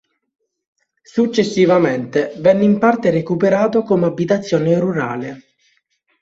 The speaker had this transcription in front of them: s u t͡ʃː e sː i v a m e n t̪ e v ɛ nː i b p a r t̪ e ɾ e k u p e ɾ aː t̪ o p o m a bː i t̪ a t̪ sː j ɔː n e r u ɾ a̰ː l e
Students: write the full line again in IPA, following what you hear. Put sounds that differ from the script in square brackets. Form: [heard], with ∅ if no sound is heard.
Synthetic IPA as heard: s u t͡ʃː e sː i v a m e n t̪ e v ɛ nː i [m] p a r t̪ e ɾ e k u p e ɾ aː t̪ o [k] o m a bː i t̪ a t̪ sː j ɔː n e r u ɾ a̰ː l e